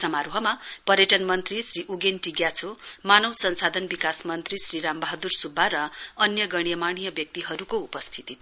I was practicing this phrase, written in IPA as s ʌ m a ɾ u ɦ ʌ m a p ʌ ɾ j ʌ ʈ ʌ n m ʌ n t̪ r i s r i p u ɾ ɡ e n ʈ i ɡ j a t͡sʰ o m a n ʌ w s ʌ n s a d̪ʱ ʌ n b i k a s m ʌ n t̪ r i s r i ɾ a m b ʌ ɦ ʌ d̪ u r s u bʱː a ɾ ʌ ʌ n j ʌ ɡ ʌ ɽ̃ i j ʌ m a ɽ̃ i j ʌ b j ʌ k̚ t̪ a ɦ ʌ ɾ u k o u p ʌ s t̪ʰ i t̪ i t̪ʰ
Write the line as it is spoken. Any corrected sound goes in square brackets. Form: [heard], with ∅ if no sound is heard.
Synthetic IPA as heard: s ʌ m a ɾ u ɦ ʌ m a p ʌ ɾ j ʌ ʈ ʌ n m ʌ n t̪ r i s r i [ʔ] u [∅] ɡ e n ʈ i ɡ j a t͡sʰ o m a n ʌ w s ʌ n s a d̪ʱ ʌ n b i k a s m ʌ n t̪ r i s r i ɾ a m b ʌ ɦ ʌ d̪ u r s u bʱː a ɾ ʌ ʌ n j ʌ ɡ ʌ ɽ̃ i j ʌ m a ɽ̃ i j ʌ b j ʌ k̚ t̪ [i] ɦ ʌ ɾ u k o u p ʌ s t̪ʰ i t̪ i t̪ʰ